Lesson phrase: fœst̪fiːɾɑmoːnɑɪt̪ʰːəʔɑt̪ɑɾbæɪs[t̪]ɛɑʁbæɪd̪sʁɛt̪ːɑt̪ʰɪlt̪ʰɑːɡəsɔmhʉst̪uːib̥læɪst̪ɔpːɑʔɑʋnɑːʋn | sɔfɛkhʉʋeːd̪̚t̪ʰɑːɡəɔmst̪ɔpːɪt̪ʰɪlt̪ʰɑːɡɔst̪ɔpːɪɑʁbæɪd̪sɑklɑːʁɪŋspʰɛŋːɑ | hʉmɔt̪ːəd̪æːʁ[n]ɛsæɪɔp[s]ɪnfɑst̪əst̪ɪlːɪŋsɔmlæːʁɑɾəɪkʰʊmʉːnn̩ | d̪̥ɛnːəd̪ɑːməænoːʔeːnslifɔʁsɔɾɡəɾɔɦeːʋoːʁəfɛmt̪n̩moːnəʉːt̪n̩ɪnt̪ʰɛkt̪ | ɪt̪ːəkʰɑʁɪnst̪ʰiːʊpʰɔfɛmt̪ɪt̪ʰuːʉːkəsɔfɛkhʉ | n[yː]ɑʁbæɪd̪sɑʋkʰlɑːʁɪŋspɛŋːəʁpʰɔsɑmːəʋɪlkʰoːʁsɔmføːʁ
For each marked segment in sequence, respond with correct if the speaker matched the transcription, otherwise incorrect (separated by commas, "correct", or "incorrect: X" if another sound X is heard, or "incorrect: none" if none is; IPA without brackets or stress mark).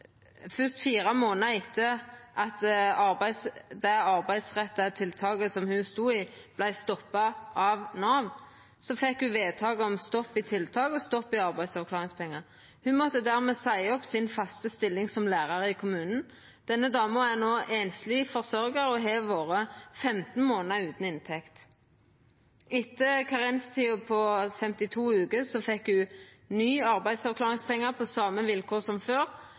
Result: incorrect: d̪, incorrect: m, correct, correct